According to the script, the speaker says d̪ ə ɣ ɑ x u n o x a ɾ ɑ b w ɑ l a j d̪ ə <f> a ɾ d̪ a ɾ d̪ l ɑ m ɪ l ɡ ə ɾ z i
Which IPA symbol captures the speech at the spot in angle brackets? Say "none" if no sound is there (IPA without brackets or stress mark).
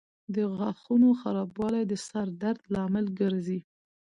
s